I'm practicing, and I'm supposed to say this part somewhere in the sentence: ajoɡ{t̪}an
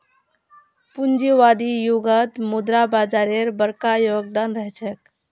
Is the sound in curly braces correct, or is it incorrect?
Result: incorrect